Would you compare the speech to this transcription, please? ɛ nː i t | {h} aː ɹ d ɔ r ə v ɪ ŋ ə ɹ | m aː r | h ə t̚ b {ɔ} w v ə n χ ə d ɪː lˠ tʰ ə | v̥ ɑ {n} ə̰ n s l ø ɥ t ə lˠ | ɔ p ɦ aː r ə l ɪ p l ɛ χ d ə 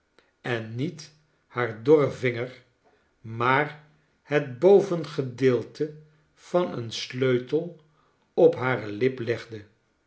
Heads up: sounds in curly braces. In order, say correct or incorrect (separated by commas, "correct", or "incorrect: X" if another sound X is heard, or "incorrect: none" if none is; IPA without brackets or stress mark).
correct, incorrect: o, correct